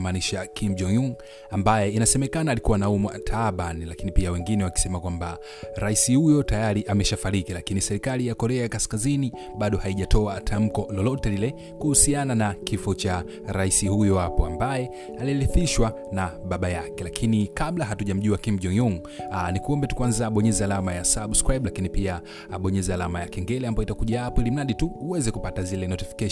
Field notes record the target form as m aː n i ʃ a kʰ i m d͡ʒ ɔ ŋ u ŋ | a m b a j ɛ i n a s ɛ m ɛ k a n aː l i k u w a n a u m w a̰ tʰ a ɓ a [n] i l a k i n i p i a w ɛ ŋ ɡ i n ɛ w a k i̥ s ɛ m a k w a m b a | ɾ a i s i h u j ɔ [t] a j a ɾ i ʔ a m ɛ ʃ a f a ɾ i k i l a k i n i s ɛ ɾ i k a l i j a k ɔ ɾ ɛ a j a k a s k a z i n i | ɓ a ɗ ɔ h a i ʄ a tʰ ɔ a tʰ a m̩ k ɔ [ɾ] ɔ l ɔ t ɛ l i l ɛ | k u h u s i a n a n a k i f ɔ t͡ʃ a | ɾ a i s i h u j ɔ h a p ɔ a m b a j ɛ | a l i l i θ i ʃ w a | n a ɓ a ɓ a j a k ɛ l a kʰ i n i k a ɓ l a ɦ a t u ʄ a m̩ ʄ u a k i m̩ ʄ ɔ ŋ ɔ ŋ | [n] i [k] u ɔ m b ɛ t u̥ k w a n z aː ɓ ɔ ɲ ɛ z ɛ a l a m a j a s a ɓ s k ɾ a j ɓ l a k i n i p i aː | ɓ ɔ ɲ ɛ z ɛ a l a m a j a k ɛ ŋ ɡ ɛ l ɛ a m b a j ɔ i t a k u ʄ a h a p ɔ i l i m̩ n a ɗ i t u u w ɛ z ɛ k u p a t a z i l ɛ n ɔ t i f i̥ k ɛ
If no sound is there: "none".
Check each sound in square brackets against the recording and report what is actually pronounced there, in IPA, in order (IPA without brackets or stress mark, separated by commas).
n, t, l, n, k